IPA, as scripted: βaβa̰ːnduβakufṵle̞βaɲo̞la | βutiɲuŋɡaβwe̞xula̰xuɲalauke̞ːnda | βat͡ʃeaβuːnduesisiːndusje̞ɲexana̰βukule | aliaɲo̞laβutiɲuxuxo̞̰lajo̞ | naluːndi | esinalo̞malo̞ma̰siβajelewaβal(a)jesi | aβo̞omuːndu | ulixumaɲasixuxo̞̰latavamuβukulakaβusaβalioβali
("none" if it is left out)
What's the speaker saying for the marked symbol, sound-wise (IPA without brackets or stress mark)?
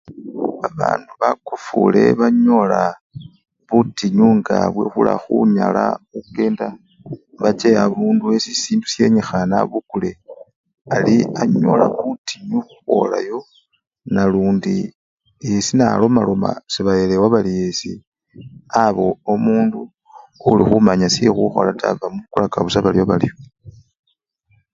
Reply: i